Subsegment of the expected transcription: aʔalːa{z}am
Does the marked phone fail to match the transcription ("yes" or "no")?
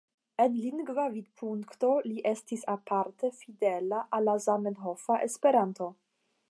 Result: no